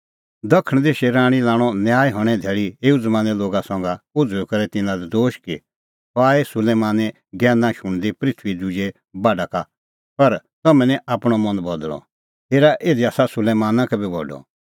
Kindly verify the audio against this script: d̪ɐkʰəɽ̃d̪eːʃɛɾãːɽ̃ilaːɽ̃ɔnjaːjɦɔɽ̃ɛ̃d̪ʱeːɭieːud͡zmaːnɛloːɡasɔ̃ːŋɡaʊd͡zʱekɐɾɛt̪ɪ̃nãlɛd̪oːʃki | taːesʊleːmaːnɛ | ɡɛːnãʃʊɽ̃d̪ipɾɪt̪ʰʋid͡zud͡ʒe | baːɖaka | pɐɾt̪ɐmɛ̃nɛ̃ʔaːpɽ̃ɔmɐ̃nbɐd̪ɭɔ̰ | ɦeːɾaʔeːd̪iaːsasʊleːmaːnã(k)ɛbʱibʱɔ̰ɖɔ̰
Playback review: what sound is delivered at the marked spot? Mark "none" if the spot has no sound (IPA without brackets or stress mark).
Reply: k